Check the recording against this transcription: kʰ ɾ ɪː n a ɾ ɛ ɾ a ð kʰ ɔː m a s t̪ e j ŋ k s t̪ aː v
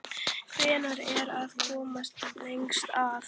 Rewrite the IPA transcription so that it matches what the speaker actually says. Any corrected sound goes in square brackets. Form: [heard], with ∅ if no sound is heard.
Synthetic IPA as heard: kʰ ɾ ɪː n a ɾ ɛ ɾ a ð kʰ ɔː m a s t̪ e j ŋ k s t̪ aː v